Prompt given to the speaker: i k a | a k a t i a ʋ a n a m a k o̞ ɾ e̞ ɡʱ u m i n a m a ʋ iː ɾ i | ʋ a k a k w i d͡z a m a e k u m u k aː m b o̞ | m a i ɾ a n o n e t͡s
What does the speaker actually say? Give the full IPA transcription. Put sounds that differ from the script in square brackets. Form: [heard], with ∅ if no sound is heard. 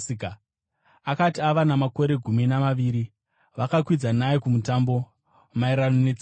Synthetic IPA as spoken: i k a | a k a t i a ʋ a n a m a k o̞ ɾ e̞ ɡʱ u m i n a m a ʋ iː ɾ i | ʋ a k a k w i d͡z a [n] a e k u m u [t] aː m b o̞ | m a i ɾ a n o n e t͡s